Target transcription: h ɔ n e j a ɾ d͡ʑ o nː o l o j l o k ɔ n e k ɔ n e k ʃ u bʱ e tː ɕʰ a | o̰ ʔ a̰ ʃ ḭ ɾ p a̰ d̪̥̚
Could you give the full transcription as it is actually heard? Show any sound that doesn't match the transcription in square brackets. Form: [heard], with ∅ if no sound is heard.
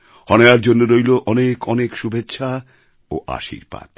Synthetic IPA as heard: h ɔ n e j a ɾ d͡ʑ o nː o [ɾ] o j l o [ʔ] ɔ n e k ɔ n e k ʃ u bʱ e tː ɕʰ a | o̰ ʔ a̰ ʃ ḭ ɾ p a̰ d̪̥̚